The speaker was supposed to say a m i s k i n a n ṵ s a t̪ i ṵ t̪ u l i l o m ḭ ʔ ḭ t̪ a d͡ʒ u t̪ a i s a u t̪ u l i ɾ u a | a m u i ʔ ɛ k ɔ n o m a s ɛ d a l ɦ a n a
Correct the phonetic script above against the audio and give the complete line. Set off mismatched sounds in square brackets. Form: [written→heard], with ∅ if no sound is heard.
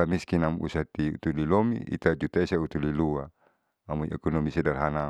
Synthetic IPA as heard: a m i s k i n a [n→m] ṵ s a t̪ i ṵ t̪ u l i l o m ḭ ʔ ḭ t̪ a d͡ʒ u t̪ a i s a u t̪ u l i [ɾ→l] u a | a m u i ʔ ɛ k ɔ n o m [a→i] s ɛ d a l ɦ a n a